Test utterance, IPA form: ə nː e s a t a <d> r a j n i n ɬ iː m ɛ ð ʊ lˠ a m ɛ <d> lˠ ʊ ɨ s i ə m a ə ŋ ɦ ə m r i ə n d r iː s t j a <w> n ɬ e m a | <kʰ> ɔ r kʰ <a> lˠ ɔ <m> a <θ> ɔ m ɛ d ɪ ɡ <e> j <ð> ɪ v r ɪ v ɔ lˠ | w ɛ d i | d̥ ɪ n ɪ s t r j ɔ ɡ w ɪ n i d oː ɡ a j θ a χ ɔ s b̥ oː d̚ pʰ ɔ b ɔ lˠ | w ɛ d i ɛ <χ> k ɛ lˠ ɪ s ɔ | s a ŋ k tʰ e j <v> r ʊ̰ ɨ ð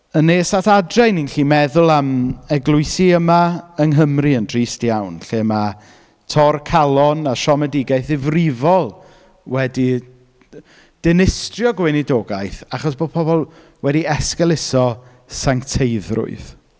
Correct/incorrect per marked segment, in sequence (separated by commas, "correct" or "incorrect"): correct, incorrect, correct, incorrect, correct, incorrect, incorrect, incorrect, incorrect, incorrect, incorrect